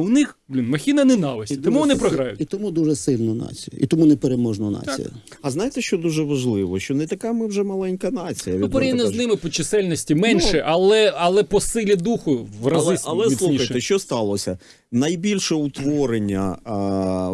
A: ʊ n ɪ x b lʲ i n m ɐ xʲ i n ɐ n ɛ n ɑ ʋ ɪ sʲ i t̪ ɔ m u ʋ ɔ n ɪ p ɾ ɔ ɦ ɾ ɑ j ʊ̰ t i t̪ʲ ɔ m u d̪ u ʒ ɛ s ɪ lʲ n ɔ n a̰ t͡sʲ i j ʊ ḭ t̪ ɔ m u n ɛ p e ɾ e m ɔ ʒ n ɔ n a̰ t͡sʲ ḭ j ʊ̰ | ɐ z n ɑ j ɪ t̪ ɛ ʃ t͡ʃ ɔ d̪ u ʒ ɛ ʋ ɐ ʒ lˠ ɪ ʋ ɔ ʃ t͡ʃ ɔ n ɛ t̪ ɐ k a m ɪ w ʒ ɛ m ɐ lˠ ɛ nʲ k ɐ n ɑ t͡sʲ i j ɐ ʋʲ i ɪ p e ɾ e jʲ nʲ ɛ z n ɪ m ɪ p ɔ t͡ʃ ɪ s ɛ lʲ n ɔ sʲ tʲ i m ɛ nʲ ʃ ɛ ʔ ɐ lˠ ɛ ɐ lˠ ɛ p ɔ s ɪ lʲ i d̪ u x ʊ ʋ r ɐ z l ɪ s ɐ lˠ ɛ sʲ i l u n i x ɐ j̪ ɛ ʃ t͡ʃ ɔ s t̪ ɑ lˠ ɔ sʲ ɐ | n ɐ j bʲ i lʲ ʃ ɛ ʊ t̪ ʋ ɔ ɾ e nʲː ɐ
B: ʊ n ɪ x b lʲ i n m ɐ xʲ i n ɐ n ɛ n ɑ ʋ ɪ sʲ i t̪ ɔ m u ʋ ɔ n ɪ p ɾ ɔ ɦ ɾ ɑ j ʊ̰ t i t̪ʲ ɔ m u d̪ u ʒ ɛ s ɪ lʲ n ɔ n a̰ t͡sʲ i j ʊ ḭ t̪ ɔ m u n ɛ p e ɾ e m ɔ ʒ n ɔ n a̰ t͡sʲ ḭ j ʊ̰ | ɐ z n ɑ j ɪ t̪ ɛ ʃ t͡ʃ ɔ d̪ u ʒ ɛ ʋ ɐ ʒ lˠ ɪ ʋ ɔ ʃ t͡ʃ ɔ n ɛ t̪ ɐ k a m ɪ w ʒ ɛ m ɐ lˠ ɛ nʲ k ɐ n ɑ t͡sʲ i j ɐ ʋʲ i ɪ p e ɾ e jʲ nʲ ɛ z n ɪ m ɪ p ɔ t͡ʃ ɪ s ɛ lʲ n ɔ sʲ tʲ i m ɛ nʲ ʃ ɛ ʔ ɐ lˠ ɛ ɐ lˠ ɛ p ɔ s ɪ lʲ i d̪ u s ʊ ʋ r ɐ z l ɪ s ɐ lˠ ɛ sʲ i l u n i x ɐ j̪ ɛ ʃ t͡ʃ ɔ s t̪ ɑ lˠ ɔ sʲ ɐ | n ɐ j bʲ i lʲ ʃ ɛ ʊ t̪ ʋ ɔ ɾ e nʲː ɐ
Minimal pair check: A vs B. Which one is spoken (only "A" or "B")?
A